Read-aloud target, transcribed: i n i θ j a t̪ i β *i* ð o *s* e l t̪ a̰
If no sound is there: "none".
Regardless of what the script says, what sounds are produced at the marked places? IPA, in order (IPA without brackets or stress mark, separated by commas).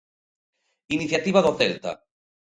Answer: a, θ